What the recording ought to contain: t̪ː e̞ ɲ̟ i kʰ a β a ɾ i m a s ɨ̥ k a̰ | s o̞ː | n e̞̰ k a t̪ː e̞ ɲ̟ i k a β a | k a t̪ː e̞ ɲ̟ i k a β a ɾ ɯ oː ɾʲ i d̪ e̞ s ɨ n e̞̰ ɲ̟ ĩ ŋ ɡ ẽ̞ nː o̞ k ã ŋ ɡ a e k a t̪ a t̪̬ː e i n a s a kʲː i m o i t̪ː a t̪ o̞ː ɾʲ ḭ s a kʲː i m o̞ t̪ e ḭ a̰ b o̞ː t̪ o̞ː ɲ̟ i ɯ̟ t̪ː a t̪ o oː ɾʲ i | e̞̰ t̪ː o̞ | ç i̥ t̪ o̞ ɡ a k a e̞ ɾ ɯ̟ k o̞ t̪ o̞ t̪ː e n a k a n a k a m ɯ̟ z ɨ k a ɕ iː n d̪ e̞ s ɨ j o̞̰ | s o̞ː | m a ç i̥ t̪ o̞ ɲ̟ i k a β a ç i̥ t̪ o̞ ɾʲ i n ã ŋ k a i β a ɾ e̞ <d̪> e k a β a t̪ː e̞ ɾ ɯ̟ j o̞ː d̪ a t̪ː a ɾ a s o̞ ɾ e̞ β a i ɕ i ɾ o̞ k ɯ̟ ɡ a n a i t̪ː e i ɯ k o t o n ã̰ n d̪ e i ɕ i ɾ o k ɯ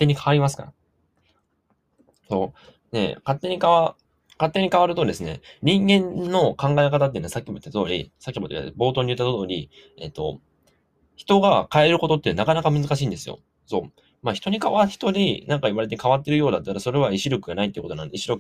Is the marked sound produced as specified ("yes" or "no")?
no